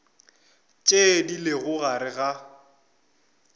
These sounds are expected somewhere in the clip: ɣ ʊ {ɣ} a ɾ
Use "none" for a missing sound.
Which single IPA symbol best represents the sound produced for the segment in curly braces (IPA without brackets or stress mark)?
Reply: ɣ